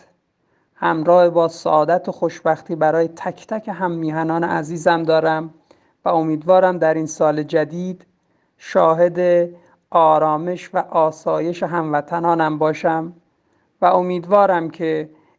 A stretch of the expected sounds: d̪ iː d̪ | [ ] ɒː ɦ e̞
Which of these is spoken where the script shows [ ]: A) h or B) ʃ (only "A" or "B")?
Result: B